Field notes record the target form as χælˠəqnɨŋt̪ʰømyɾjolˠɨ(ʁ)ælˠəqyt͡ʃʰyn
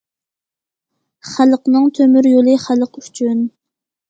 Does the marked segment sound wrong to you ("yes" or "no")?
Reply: yes